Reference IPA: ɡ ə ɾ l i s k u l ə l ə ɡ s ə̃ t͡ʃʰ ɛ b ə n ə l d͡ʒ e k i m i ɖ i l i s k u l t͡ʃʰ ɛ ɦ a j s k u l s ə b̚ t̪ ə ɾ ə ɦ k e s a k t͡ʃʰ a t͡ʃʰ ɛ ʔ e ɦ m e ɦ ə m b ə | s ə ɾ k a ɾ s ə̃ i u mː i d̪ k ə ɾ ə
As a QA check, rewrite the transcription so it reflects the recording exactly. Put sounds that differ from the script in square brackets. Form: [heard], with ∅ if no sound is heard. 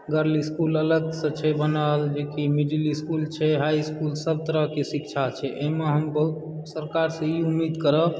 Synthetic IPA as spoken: ɡ ə ɾ l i s k u l ə l ə ɡ s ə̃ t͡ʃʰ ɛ b ə n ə l d͡ʒ e k i m i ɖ i l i s k u l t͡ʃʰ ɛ ɦ a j s k u l s ə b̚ t̪ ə ɾ ə ɦ k e s [i] k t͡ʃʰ a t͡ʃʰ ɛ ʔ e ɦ m e ɦ ə m b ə | s ə ɾ k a ɾ s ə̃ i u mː i d̪ k ə ɾ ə